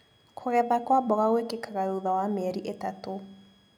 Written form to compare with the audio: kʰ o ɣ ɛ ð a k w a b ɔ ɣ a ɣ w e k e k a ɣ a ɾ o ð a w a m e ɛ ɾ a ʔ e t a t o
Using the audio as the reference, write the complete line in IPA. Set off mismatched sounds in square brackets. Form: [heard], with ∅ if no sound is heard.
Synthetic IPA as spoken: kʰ o ɣ ɛ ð a k w a b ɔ ɣ a ɣ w e k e k a ɣ a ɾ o ð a w a m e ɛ ɾ [i] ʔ e t a t o

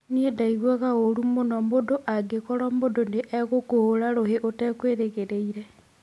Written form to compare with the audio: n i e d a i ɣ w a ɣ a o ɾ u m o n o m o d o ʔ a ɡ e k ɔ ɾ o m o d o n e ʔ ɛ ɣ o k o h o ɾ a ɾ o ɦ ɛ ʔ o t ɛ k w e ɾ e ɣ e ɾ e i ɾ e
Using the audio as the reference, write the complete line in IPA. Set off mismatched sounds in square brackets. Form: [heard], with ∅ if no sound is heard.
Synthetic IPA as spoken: n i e d a i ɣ w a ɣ a o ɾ u m o n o m o d o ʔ a ɡ e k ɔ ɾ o m o d o n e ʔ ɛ ɣ o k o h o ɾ a ɾ o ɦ [e] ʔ o t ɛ k w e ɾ e ɣ e ɾ e i ɾ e

